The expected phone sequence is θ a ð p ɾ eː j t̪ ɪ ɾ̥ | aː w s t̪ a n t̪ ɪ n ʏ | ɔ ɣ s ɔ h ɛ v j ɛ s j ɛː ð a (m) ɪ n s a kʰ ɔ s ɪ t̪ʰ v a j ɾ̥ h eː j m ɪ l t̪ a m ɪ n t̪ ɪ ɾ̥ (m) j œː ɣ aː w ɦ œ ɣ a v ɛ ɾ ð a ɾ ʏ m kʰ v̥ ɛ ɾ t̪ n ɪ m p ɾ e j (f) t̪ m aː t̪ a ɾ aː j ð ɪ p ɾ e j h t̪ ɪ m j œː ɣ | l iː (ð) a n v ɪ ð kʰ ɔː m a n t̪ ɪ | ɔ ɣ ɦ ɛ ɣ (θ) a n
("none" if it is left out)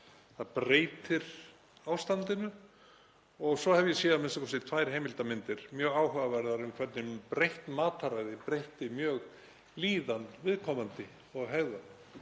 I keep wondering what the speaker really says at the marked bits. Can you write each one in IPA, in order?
m, m, h, ð, ð

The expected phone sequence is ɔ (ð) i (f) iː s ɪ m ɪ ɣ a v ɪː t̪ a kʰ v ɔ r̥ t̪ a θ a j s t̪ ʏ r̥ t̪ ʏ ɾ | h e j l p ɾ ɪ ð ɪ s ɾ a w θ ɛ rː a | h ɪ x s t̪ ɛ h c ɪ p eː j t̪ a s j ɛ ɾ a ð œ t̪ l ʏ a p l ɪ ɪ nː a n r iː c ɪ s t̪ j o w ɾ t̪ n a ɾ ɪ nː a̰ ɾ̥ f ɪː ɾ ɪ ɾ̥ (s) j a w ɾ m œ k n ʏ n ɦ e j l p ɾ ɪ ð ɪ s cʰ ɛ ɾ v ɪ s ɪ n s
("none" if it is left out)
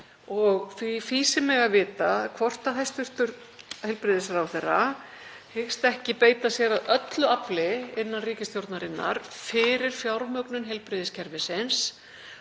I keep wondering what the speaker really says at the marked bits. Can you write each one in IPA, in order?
ɣ, f, f

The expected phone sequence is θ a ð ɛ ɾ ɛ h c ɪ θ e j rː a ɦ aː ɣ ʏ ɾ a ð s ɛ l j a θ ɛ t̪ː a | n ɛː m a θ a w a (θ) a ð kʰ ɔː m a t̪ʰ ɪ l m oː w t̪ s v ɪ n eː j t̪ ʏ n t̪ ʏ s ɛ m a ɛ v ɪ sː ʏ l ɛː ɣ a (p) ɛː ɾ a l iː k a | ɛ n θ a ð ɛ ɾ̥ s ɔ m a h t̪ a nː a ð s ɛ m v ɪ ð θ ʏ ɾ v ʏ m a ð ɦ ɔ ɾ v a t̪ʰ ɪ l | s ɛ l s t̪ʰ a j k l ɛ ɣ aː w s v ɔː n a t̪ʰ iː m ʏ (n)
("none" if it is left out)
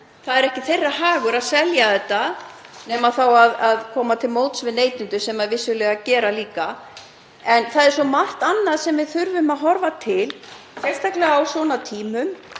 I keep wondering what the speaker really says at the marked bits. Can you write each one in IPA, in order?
ð, c, m

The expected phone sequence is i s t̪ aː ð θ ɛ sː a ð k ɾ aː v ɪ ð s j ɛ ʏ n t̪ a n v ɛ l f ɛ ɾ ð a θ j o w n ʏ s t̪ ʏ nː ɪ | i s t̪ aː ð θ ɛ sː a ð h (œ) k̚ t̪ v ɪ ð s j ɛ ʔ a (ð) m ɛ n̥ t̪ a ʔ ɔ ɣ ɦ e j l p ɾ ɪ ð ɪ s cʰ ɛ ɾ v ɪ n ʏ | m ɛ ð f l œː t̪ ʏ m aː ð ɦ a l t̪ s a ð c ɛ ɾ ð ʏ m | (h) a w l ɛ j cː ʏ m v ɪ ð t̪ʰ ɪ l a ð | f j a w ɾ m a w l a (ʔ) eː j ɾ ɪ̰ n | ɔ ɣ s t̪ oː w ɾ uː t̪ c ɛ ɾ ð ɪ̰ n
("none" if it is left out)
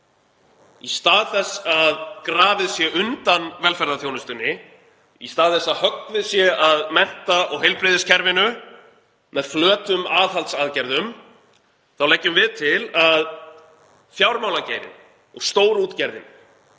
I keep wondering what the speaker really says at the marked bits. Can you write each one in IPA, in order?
œ, ð, θ, c

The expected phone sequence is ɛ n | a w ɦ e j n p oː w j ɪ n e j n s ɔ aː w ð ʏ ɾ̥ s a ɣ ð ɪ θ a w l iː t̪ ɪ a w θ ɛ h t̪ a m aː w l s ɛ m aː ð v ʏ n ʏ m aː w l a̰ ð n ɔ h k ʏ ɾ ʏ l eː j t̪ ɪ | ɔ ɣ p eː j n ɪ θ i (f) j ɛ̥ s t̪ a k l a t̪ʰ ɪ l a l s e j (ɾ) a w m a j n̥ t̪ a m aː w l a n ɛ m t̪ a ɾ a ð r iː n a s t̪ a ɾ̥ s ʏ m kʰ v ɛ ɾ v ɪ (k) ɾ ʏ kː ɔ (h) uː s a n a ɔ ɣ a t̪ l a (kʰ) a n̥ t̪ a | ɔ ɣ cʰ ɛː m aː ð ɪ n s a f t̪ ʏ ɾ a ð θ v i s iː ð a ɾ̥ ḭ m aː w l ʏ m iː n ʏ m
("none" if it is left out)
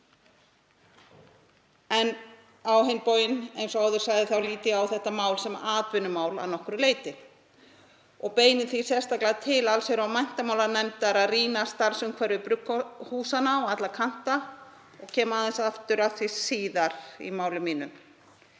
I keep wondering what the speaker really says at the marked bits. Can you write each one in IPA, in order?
s, ɾ, p, h, kʰ

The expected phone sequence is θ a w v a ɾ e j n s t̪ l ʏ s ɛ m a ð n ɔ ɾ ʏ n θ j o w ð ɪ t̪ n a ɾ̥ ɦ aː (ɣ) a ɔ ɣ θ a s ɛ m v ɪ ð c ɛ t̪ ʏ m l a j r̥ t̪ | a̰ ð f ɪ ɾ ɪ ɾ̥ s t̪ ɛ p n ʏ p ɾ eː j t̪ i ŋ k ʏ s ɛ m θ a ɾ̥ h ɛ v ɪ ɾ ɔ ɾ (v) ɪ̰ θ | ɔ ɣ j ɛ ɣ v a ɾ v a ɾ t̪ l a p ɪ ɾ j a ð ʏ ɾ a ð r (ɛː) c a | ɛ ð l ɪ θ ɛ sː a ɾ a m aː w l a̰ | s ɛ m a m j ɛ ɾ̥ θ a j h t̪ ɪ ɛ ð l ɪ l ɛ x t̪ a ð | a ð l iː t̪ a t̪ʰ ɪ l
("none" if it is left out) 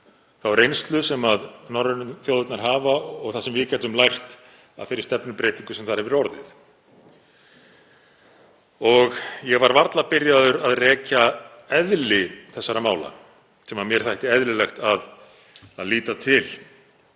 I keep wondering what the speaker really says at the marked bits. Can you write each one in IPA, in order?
v, ð, ɛː

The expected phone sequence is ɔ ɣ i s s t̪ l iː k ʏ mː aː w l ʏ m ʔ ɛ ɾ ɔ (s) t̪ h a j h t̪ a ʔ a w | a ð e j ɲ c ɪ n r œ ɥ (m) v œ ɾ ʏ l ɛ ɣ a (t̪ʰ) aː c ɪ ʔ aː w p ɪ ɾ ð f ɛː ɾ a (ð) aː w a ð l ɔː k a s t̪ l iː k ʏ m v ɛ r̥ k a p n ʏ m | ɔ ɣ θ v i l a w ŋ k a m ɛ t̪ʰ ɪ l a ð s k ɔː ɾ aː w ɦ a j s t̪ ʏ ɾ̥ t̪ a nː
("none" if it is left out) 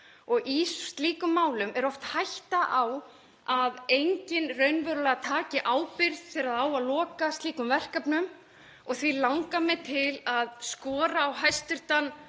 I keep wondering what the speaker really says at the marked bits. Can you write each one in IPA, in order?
f, n, t̪ʰ, ð

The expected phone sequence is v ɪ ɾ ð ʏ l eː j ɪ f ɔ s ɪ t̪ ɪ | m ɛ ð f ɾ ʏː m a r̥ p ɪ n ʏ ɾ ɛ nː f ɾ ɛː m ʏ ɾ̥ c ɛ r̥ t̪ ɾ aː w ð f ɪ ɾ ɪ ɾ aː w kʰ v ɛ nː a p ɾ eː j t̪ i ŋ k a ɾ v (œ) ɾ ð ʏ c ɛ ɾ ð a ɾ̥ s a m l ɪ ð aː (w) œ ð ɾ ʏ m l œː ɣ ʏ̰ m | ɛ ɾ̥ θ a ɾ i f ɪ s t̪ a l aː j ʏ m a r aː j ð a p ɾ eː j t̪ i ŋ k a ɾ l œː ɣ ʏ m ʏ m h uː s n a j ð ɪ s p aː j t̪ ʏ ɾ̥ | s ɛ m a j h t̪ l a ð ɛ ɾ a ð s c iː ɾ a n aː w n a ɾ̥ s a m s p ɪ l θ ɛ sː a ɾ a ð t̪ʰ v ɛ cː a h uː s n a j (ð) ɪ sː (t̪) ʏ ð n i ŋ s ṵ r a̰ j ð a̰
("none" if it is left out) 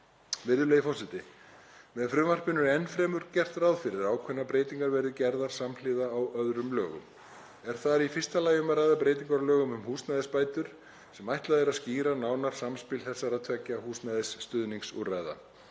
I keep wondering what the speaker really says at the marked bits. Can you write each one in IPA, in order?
ɛ, w, ð, t̪

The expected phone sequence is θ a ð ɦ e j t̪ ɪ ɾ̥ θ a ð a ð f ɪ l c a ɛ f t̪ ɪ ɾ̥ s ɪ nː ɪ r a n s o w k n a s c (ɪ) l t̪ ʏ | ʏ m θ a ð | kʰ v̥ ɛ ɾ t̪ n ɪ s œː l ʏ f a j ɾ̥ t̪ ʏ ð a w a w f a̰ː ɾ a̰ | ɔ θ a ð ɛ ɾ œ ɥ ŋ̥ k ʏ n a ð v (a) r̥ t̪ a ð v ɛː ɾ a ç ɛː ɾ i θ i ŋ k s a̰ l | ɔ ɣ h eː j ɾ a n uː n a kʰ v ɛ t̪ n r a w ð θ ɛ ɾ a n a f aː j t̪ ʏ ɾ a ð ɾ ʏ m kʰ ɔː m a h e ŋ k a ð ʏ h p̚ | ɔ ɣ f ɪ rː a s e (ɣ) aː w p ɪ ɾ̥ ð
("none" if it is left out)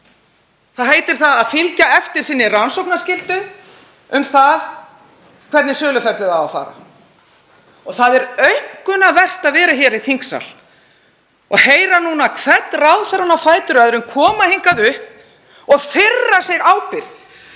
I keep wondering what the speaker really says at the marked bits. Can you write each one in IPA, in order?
ɪ, ɛ, ɣ

